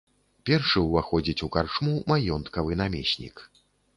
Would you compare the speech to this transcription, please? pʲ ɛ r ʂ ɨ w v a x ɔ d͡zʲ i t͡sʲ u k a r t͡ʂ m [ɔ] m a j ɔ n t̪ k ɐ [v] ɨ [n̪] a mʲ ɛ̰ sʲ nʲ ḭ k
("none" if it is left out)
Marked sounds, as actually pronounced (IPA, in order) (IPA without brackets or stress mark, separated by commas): u, v, n̪